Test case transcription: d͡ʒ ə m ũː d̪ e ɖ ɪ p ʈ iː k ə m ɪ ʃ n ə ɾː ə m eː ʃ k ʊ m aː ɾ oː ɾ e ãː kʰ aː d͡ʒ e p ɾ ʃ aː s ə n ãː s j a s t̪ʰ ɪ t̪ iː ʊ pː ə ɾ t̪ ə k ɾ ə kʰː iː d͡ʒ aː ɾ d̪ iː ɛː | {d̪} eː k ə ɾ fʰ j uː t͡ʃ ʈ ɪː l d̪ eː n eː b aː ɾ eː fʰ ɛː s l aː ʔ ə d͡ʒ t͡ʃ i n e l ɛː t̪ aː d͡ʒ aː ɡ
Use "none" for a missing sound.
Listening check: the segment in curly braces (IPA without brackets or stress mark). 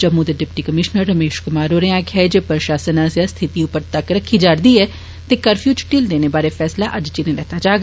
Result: t̪